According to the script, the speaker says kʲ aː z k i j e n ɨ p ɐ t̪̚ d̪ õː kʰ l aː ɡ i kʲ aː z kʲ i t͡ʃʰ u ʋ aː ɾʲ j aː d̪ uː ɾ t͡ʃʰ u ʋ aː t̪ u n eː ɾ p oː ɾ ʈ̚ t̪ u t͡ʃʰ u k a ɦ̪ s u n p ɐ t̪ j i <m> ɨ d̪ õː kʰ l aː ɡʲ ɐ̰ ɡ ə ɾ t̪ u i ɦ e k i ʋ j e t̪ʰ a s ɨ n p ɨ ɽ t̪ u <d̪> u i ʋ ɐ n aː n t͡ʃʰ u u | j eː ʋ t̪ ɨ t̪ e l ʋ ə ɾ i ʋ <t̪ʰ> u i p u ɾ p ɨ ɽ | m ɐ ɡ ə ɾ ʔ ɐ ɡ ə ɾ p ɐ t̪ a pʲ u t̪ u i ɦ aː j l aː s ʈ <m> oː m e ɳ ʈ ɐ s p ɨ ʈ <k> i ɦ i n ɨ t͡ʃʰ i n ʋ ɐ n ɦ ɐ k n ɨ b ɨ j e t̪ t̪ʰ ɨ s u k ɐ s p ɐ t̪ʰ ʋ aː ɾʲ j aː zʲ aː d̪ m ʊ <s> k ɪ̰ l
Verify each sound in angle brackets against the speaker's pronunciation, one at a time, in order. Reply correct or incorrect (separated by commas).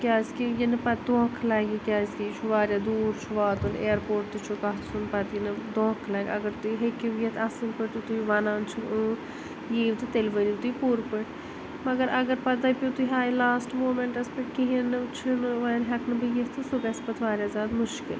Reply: incorrect, incorrect, incorrect, correct, correct, incorrect